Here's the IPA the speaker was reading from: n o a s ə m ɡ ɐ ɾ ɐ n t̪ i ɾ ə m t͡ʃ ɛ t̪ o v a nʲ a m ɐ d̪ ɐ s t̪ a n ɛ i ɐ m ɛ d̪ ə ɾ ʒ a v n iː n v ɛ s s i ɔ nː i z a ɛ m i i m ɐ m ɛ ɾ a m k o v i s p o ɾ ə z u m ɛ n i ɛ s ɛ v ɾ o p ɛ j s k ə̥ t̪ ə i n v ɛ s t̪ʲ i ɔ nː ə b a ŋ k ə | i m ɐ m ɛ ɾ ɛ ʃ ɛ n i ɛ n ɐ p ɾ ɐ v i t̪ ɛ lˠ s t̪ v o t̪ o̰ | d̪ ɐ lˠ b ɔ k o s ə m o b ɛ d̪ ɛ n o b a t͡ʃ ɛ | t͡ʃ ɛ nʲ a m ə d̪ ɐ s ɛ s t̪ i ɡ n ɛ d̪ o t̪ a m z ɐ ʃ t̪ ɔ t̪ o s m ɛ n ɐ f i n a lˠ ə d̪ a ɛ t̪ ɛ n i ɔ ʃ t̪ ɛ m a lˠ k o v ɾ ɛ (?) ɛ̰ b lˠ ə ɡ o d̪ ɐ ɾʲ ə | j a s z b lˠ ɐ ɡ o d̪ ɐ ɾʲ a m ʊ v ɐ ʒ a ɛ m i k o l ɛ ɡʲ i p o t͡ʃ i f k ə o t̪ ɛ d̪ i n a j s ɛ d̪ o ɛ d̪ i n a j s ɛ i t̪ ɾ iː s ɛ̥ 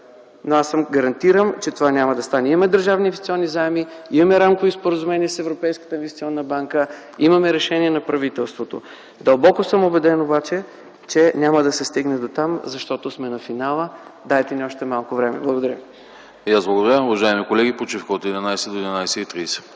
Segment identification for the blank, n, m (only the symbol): m